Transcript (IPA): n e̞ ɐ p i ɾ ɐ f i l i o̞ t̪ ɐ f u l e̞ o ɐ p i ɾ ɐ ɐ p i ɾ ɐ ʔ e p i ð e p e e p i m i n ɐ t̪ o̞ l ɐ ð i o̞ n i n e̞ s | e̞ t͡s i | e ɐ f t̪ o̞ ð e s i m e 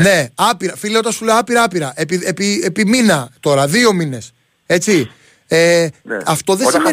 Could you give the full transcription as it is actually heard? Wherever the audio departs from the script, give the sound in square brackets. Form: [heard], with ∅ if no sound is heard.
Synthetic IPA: n e̞ ɐ p i ɾ ɐ f i l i o̞ t̪ ɐ [s] u l e̞ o ɐ p i ɾ ɐ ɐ p i ɾ ɐ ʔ e p i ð e p [i] e p i m i n ɐ t̪ o̞ [ɾ] ɐ ð i o̞ [m] i n e̞ s | e̞ t͡s i | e ɐ f t̪ o̞ ð e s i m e